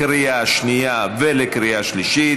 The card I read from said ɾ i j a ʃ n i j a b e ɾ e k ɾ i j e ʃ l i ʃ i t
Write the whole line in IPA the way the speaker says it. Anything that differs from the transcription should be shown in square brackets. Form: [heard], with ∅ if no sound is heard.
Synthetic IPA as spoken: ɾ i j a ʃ n i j a [v] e [l] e k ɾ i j [a] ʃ l i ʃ i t

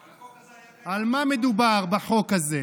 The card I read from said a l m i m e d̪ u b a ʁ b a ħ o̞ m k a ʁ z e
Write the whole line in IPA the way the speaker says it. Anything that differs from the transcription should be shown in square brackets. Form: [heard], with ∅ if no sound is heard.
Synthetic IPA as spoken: a l m [a] m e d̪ u b a ʁ b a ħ o̞ [∅] k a [∅] z e

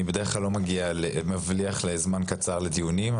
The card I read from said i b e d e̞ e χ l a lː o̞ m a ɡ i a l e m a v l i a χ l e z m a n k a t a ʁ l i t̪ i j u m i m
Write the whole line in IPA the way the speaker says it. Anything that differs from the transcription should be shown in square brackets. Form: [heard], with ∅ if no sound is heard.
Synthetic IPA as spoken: i b e d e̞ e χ l a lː o̞ m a ɡ i a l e m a v l i a χ l e z m a n k a [t͡s] a ʁ l [e] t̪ i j u [n] i m

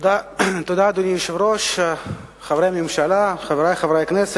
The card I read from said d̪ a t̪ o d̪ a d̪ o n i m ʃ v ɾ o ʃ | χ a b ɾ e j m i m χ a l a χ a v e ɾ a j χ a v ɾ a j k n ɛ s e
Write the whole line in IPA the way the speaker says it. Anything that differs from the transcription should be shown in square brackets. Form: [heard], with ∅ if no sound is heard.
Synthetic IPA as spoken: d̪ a t̪ o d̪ a d̪ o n i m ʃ v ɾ o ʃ | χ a [v] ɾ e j m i m [ʃ] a l a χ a v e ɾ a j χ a v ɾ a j k n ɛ s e

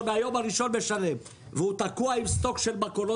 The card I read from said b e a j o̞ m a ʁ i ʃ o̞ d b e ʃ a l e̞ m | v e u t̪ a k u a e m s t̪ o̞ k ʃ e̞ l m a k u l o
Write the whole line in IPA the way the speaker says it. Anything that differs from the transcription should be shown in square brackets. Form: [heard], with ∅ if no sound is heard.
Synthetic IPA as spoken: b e a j o̞ m a ʁ i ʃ o̞ [n] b e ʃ a l e̞ m | v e u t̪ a k u a [i] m s t̪ o̞ k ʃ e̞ l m a k [o] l o

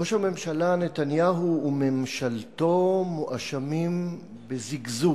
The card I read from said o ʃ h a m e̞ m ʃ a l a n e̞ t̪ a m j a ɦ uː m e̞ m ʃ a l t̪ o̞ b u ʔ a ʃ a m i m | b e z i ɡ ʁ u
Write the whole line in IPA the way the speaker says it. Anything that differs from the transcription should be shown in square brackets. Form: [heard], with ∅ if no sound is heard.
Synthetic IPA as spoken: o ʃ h a m e̞ m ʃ a l a n e̞ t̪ a [n] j a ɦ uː m e̞ m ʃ a l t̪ o̞ [m] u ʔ a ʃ a m i m | b e z i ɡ [z] u

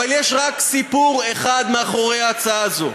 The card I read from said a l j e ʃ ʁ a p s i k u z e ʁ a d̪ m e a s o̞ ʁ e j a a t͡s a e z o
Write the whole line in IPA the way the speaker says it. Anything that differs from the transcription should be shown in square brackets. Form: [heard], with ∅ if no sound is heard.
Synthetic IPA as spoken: a l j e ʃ ʁ a [k] s i [p] u [ʁ] e [χ] a d̪ m e a [χ] o̞ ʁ e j a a t͡s a [a] z o

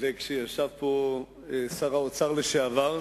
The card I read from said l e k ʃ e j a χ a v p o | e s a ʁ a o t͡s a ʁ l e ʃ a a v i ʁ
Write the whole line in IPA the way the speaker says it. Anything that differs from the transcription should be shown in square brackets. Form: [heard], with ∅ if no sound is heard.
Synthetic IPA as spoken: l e k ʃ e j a [ʃ] a v p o | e s a ʁ a o t͡s a ʁ l e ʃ [e] a v [a] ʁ

